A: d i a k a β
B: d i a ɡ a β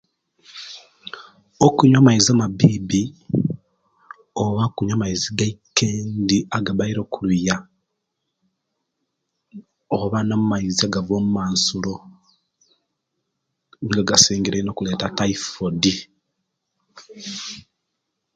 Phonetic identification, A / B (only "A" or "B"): B